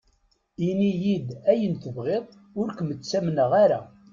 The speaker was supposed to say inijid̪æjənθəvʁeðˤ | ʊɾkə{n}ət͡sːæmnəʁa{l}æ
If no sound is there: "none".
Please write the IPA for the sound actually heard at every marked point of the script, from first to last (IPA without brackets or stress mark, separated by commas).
m, ɾ